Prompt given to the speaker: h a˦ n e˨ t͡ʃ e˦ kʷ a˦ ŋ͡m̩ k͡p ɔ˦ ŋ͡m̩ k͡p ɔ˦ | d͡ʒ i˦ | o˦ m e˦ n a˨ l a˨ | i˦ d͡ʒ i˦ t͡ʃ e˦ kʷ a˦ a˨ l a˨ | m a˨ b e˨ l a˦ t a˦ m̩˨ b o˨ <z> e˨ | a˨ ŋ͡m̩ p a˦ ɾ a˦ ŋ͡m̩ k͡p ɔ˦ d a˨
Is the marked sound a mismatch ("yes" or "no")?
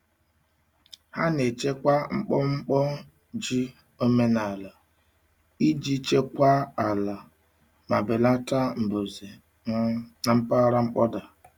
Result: no